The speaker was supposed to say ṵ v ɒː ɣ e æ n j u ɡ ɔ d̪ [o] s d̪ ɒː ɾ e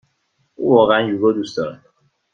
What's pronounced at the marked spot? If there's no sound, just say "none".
u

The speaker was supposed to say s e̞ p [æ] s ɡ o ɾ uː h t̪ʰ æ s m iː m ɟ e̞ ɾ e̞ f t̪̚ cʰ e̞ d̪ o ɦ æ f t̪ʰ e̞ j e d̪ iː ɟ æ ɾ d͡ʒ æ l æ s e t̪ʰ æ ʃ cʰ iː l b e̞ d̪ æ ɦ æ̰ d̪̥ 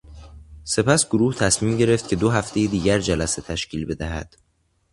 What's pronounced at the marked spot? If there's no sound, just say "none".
æ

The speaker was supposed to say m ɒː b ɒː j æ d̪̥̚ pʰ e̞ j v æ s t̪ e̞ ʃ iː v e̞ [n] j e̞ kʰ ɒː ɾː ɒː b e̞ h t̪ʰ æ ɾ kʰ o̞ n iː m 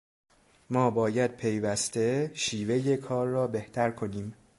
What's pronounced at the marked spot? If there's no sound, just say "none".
none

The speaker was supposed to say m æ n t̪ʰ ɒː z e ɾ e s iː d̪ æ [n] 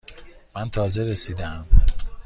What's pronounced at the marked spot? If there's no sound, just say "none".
m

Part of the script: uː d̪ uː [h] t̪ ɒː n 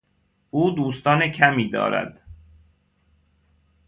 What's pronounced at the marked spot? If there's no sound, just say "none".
s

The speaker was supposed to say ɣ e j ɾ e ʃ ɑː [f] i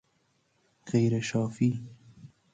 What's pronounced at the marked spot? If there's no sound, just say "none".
f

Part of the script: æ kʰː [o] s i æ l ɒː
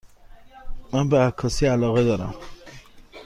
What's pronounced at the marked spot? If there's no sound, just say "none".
ɒ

